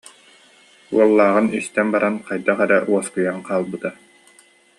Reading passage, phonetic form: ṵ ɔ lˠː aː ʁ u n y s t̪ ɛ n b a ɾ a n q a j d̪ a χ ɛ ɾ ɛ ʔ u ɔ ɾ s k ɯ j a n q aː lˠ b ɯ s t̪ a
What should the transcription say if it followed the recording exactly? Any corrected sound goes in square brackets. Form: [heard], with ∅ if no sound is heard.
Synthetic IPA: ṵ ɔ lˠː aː ʁ [ɯ] n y s t̪ ɛ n b a ɾ a n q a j d̪ a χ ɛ ɾ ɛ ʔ u ɔ [∅] s k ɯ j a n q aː lˠ b ɯ [∅] t̪ a